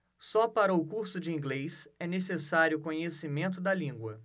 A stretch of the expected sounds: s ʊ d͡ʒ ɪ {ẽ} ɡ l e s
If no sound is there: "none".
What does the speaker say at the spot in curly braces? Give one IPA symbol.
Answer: ĩ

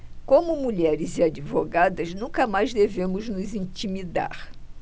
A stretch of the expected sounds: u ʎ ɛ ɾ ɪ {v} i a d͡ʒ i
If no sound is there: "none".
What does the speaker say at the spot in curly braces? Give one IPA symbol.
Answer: z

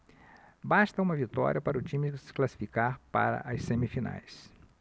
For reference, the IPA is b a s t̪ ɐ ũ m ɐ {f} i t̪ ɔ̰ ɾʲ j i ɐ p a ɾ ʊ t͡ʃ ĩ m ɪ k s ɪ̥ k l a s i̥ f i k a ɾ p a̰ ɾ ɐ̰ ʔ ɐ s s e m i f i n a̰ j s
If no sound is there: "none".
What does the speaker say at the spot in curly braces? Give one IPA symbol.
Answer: v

